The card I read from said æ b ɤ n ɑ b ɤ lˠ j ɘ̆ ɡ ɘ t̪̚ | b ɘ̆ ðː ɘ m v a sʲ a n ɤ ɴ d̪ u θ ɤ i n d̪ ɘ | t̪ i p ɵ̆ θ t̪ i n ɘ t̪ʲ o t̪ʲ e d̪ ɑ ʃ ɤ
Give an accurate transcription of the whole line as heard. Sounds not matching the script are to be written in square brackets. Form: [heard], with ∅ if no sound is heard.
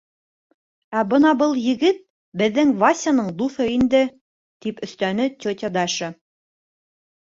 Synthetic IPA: æ b ɤ n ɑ b ɤ lˠ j ɘ̆ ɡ ɘ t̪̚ | b ɘ̆ ðː ɘ [ŋ] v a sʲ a n ɤ ɴ d̪ u θ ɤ i n d̪ ɘ | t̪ i p ɵ̆ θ t̪ [æ] n ɘ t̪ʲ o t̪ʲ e d̪ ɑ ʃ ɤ